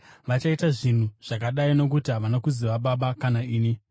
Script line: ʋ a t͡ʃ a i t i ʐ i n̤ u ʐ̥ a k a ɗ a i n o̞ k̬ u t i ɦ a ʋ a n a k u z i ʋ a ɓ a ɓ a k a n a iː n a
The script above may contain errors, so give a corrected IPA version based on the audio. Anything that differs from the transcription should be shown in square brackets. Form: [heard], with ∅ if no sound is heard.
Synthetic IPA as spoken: ʋ a t͡ʃ a i t [a] ʐ i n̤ u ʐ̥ a k a ɗ a i n o̞ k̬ u t i ɦ a ʋ a n a k u z i ʋ a ɓ a ɓ a k a n a iː n [i]